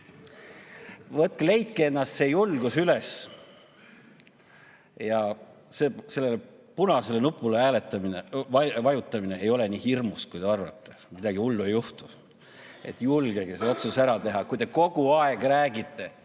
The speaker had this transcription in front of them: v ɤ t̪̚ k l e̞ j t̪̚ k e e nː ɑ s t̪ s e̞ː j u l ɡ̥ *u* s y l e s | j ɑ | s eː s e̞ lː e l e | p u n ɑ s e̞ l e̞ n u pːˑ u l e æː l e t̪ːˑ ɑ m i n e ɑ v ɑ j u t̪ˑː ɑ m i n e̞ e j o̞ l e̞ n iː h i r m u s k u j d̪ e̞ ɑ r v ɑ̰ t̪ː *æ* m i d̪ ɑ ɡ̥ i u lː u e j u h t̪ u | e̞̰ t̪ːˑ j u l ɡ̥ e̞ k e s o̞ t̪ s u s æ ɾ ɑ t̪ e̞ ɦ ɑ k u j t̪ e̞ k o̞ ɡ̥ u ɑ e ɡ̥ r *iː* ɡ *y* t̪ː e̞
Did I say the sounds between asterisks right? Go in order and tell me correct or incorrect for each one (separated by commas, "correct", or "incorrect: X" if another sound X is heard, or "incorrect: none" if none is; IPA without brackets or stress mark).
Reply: correct, incorrect: e, incorrect: æː, incorrect: i